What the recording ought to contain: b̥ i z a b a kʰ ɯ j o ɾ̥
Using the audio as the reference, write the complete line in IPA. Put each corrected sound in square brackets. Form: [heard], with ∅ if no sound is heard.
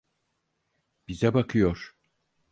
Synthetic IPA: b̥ i z [ɛ] b a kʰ ɯ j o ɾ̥